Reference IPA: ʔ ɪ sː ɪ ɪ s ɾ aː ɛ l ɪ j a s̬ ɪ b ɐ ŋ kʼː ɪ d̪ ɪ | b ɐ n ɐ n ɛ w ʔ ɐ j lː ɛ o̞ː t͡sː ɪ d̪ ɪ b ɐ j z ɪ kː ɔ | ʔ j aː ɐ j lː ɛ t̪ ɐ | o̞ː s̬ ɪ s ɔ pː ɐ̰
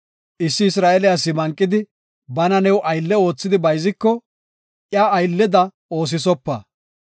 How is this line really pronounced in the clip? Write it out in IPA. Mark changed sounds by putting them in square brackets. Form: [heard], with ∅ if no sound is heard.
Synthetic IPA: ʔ ɪ sː ɪ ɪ s ɾ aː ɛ l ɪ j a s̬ ɪ [m] ɐ ŋ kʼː ɪ d̪ ɪ | b ɐ n ɐ n ɛ w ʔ ɐ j lː ɛ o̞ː t͡sː ɪ d̪ ɪ b ɐ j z ɪ kː ɔ | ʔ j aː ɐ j lː ɛ [d̪] ɐ | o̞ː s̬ ɪ s ɔ pː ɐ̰